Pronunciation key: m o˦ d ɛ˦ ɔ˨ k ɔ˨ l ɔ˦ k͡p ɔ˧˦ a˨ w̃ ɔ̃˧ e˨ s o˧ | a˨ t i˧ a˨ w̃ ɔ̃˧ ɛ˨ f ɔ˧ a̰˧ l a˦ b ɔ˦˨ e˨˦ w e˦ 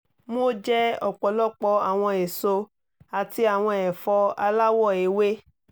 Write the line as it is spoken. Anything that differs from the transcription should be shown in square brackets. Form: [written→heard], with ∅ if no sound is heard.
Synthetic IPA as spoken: m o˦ [d→d͡ʒ] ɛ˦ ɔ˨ [k→k͡p] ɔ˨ l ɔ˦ k͡p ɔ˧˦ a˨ w̃ ɔ̃˧ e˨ s o˧ | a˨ t i˧ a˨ w̃ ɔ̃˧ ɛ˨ f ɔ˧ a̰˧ l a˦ [b→w] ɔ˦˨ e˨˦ w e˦